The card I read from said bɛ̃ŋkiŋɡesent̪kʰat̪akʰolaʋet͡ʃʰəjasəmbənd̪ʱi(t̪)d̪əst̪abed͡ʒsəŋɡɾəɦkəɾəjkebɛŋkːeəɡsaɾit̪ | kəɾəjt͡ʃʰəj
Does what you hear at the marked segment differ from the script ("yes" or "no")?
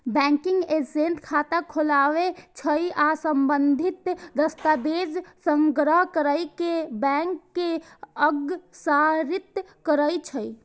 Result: no